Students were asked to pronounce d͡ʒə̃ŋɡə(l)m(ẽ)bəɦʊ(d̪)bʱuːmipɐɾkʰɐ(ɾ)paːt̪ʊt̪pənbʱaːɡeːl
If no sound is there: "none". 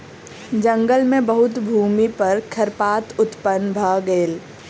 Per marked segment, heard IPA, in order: l, ẽ, t̪, ɾ

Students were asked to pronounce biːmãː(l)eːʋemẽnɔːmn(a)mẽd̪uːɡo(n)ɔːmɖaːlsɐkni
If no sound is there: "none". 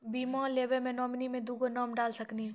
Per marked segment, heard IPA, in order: l, i, n

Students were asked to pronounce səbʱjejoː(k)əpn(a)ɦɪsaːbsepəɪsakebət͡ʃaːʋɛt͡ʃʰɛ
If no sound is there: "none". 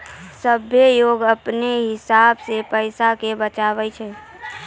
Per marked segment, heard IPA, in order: ɡ, e

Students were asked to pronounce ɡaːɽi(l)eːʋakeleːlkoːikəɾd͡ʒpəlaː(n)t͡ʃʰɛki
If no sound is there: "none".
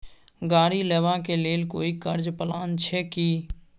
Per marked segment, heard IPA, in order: l, n

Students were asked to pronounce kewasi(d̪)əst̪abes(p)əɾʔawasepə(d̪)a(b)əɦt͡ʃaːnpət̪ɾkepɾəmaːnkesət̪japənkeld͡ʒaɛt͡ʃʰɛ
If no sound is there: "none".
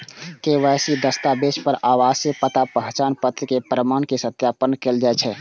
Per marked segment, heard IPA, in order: d̪, p, t̪, p

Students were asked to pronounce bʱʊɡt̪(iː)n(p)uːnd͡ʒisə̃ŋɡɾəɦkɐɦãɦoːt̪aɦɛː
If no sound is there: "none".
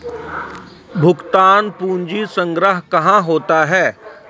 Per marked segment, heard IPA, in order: aː, p

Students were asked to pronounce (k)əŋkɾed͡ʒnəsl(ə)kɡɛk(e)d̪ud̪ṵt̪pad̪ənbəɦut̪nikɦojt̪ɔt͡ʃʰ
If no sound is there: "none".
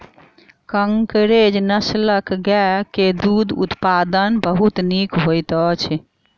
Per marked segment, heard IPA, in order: k, ə, e

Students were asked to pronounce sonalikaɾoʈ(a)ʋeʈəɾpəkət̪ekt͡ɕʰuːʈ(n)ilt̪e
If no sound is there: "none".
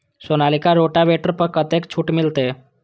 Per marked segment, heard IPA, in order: a, m

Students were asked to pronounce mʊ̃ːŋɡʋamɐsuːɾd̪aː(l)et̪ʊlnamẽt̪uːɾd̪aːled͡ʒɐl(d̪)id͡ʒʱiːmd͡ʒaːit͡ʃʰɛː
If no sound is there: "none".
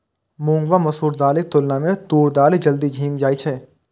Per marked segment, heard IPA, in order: l, d̪

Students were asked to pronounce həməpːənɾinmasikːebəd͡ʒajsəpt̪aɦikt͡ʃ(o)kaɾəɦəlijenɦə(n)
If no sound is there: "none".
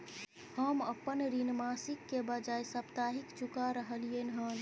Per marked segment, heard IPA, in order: u, n

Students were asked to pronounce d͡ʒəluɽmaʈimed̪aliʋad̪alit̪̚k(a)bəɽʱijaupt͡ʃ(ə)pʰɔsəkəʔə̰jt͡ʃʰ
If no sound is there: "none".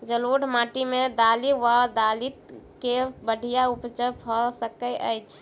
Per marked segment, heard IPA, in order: e, ə

